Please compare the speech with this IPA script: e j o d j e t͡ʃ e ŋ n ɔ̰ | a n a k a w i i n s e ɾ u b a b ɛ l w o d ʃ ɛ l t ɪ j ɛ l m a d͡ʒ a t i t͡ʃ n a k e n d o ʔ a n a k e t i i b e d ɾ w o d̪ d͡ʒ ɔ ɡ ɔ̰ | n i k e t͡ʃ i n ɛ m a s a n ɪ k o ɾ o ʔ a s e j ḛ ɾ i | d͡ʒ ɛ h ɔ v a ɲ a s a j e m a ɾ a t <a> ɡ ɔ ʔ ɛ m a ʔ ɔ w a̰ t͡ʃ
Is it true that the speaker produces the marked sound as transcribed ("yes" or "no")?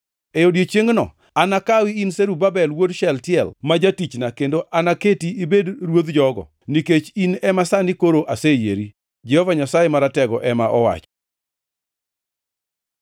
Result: no